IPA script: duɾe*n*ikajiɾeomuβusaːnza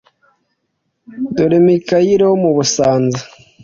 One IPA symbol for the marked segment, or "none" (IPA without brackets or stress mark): m